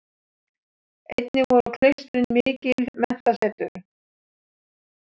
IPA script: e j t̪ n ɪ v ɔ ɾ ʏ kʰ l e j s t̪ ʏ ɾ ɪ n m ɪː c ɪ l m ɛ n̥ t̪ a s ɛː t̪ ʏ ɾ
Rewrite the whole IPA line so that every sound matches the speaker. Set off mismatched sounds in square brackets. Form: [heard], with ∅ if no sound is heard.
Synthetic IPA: e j t̪ n ɪ v ɔ ɾ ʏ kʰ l e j s t̪ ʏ ɾ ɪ n m ɪː c ɪ l m ɛ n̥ t̪ a s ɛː t̪ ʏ ɾ